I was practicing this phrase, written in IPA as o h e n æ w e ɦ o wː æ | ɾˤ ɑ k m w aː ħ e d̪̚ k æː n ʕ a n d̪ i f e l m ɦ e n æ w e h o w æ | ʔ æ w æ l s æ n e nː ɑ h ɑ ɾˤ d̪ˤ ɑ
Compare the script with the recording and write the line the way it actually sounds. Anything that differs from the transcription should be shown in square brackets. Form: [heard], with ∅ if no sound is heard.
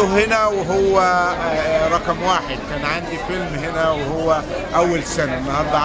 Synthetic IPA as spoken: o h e n æ w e ɦ o wː æ | ɾˤ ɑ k m w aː ħ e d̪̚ k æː n ʕ a n d̪ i f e l m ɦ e n æ w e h o [wː] æ | ʔ æ [wː] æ l s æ n [æ] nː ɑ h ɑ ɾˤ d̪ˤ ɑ